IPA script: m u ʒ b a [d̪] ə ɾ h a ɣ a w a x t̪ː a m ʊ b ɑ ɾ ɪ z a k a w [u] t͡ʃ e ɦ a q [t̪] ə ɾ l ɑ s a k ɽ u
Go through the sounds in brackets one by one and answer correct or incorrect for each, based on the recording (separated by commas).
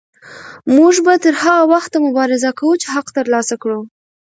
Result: incorrect, correct, correct